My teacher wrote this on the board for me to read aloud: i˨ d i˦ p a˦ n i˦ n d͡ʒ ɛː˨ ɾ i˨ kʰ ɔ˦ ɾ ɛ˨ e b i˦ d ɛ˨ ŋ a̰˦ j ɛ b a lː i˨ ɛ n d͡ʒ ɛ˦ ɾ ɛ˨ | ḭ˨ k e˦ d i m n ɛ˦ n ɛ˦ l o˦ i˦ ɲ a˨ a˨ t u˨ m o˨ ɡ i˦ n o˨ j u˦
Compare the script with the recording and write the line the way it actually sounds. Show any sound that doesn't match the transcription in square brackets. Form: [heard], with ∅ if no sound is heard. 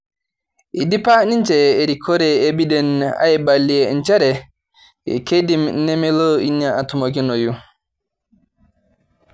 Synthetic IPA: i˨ d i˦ p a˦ n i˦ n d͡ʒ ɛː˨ ɾ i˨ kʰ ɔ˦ ɾ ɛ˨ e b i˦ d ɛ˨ [n] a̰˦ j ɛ b a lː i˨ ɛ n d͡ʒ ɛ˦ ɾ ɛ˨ | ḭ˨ k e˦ d i m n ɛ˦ [m] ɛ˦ l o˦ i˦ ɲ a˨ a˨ t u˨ m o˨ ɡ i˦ n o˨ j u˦